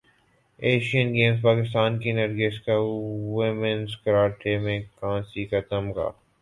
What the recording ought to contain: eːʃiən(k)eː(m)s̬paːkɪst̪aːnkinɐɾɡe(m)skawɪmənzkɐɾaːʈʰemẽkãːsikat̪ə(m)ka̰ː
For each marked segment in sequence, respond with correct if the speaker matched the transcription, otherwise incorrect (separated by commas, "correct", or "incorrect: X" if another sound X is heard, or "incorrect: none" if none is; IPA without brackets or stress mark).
incorrect: ɡ, correct, incorrect: none, correct